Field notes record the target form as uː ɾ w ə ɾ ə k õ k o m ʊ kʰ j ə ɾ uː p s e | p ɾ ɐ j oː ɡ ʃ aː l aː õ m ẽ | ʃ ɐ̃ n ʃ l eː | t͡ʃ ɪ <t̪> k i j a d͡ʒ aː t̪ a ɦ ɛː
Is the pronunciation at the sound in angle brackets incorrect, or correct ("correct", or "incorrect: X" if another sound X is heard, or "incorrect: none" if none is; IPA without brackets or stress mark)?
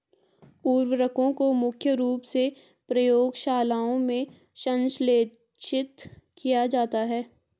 correct